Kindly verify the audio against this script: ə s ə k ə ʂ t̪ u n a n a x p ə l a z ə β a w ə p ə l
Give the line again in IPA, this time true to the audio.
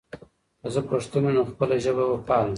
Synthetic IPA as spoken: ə z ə p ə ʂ t̪ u n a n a x p ə l a ʒ ə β a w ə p ɑ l